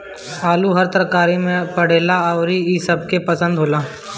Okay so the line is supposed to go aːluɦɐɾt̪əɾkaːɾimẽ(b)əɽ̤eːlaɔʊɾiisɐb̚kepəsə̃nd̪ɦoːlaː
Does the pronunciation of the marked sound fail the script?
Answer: yes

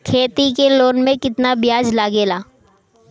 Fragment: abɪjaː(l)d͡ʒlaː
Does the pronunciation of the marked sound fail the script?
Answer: yes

